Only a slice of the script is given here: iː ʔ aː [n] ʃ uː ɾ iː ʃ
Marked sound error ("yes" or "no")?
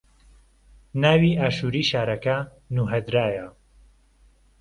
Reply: yes